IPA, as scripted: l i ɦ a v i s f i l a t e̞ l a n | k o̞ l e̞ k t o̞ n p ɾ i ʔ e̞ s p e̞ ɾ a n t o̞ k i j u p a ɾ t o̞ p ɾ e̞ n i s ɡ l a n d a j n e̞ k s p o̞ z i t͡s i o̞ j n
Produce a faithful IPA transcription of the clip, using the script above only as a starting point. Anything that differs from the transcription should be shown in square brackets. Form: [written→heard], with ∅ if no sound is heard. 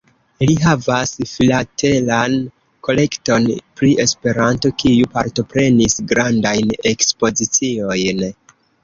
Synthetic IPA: l i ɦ a v [i→a] s f i l a t e̞ l a n | k o̞ l e̞ k t o̞ n p ɾ i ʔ e̞ s p e̞ ɾ a n t o̞ k i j u p a ɾ t o̞ p ɾ e̞ n i s ɡ [l→ɾ] a n d a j n e̞ k s p o̞ z i t͡s i o̞ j n